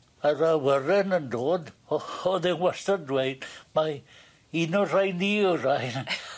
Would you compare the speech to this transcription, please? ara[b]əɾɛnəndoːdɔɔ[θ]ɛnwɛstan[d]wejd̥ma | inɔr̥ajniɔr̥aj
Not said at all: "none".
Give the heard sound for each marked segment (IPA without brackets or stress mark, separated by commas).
w, ð, d